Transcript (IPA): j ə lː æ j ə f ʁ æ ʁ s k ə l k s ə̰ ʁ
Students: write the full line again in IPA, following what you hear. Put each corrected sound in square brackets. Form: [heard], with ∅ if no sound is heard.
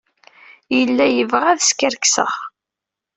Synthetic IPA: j ə lː æ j ə [v] ʁ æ [ð] s k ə [ɾ] k s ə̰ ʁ